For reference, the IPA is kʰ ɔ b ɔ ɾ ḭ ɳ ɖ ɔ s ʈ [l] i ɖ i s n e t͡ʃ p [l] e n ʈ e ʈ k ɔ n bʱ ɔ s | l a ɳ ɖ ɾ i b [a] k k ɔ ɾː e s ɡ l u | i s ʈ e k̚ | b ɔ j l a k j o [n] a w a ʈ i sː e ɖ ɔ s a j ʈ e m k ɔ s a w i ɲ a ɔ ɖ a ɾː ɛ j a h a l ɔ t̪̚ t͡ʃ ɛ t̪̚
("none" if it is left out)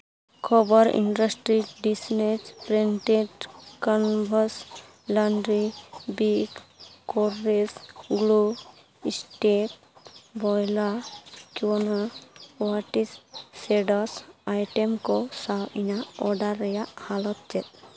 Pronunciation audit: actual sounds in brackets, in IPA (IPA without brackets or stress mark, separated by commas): ɾ, ɾ, i, n